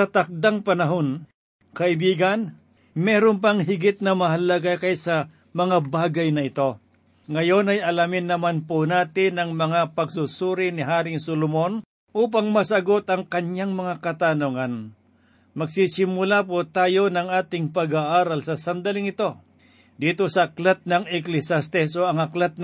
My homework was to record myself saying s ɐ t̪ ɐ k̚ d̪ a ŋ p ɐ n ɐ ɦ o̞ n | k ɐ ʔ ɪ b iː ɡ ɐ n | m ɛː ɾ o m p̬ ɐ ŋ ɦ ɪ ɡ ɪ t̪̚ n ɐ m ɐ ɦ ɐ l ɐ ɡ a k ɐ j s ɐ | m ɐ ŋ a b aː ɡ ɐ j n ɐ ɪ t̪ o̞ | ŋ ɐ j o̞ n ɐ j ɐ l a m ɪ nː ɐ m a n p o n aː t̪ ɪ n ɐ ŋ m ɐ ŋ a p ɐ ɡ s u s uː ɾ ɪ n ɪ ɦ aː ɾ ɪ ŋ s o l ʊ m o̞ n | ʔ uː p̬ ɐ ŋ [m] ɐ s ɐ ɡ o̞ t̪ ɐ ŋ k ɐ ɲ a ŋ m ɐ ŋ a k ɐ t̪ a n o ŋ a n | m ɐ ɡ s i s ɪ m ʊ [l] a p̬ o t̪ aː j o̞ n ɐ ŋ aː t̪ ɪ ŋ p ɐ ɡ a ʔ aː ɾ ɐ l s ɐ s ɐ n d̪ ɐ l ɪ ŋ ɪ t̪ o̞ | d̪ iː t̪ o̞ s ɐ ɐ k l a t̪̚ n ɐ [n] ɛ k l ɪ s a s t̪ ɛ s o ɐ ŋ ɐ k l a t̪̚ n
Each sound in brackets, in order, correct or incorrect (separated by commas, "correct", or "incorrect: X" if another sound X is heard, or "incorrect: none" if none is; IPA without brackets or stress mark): correct, correct, incorrect: ŋ